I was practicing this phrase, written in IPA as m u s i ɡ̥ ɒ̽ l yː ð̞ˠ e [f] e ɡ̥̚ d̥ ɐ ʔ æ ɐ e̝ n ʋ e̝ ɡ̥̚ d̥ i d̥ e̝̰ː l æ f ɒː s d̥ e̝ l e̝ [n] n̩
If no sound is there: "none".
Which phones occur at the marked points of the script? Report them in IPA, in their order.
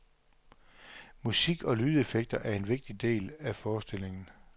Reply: f, ŋ

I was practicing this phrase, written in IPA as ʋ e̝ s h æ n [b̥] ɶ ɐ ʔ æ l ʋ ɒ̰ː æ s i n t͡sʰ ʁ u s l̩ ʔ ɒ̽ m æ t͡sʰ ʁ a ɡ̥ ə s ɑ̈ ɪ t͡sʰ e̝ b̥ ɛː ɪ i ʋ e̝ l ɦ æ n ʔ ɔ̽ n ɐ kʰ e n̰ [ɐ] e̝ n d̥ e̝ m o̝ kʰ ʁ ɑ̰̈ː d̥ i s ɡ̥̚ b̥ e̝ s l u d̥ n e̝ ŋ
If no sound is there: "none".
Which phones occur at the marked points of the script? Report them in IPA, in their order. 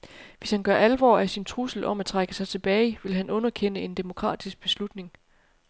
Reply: ɡ̥, ə

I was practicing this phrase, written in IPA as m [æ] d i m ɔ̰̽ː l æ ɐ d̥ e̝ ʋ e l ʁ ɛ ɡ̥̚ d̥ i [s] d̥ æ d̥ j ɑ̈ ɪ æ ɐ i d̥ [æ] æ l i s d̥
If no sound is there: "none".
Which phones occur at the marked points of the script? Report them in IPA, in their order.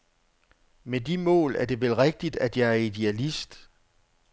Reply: e, none, e

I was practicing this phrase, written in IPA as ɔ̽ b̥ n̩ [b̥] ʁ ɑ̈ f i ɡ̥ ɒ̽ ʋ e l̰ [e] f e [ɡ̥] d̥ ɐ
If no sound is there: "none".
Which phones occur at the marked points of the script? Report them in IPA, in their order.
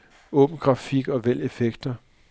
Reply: ɡ̥, e, ɡ̥

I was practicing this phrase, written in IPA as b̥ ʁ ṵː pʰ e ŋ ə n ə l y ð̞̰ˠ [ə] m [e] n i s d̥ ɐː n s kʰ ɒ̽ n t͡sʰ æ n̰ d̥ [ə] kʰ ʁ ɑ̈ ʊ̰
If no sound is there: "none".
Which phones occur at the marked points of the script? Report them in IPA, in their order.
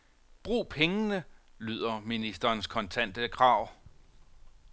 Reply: ɐ, i, ə

